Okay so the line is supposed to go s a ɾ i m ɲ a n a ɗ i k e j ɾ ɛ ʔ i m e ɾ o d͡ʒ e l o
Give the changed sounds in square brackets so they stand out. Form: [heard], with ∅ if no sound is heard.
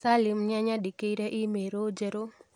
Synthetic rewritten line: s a [l] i m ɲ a [ɲ] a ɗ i k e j ɾ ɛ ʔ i m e ɾ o d͡ʒ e [ɾ] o

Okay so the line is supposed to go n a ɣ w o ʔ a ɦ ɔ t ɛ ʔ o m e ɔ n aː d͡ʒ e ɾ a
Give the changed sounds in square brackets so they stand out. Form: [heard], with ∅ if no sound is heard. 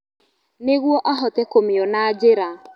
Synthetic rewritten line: n [e] ɣ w [ɔ] ʔ a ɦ ɔ t ɛ [k] o m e ɔ n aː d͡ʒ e ɾ a

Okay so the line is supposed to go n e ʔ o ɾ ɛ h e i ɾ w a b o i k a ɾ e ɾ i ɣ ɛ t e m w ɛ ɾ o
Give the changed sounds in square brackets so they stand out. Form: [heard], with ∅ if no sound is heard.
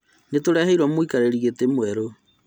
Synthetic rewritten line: n e [t] o ɾ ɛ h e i ɾ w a [m] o i k a ɾ e ɾ i ɣ [e] t e m w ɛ ɾ o

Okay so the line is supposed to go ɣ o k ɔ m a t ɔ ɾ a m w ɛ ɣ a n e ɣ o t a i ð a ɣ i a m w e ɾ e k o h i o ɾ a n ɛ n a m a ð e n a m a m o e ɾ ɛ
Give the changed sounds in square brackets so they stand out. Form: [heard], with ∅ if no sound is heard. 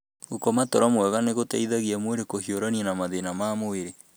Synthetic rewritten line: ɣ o k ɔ m a t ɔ ɾ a m w ɛ ɣ a n e ɣ o t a i ð a ɣ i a m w e ɾ e k o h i o ɾ a n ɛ n a m a ð e n a m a m o e ɾ [e]

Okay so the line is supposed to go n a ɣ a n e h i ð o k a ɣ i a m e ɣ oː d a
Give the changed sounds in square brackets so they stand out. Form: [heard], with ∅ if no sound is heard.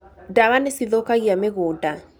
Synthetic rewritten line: [d] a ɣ a n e [s] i ð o k a ɣ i a m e ɣ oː d a

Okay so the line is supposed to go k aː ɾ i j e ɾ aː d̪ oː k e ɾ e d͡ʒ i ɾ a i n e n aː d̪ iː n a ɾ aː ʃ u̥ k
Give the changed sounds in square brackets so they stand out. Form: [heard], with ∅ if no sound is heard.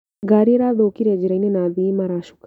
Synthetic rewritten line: [ɡ] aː ɾ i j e ɾ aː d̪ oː k [i] ɾ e d͡ʒ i ɾ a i n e n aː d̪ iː [m] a ɾ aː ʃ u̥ k

